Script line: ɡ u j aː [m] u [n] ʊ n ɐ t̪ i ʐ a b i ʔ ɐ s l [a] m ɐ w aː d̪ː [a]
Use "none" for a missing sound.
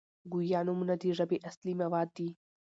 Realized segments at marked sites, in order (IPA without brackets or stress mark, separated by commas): n, m, i, i